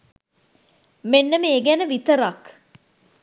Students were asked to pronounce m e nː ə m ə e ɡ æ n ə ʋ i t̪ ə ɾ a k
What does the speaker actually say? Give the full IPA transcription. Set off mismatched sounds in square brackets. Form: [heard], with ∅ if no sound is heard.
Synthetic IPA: m e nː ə m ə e ɡ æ n ə ʋ i t̪ ə ɾ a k